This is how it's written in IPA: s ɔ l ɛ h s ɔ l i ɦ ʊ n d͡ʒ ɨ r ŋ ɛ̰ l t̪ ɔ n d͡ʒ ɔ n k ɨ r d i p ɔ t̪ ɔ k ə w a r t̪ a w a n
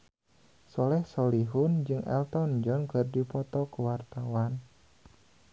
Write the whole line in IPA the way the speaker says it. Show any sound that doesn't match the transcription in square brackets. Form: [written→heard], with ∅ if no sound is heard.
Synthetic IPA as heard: s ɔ l ɛ h s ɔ l i ɦ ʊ n d͡ʒ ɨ [r→∅] ŋ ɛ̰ l t̪ ɔ n d͡ʒ ɔ n k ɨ r d i p ɔ t̪ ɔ k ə w a r t̪ a w a n